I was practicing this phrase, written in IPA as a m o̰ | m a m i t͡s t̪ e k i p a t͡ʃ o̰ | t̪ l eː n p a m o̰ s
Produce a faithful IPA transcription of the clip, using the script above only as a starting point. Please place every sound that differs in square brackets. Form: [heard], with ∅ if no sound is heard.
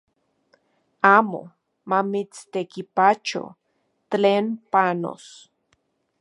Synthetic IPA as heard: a m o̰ | m a m i t͡s t̪ e k i p a t͡ʃ o̰ | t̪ l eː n p a [n] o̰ s